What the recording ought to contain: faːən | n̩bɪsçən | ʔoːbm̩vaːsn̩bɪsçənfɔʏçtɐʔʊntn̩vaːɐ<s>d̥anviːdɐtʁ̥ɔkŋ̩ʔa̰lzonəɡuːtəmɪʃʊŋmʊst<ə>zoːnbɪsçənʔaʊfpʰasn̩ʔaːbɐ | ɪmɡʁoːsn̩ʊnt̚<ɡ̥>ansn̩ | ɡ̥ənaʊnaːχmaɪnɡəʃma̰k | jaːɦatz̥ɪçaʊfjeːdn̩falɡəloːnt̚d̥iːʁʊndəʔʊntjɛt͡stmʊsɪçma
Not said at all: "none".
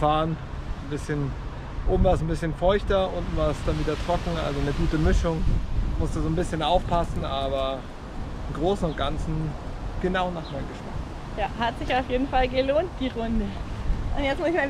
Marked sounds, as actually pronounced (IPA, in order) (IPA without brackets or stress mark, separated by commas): s, ə, ɡ̥